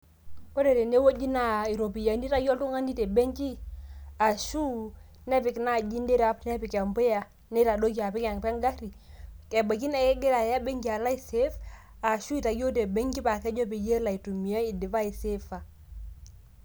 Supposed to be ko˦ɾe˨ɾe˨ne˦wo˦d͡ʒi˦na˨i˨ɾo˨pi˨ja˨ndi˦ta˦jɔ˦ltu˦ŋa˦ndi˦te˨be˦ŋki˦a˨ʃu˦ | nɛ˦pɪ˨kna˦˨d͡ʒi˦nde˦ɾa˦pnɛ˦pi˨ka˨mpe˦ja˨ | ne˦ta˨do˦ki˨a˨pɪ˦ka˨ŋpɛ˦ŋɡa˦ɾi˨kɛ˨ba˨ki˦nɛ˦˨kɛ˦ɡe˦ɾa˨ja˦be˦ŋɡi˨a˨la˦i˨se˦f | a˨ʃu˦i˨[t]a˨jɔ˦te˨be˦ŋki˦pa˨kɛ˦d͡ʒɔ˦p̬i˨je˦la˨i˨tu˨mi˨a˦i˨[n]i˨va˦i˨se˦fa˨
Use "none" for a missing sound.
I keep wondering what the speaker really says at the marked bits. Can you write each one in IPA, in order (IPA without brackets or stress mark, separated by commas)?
t, d